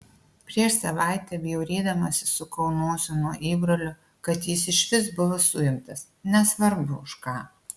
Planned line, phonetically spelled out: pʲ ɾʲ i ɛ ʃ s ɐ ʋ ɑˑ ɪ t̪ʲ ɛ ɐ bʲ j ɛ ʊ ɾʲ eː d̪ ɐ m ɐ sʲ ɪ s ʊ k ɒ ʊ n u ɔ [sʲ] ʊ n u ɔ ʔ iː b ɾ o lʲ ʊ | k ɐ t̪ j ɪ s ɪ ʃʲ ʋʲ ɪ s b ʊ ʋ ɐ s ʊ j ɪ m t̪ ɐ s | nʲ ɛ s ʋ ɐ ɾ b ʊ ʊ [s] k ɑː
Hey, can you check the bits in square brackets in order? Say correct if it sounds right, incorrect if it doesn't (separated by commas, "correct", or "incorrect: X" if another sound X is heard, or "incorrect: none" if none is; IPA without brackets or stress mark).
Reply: correct, incorrect: ʃ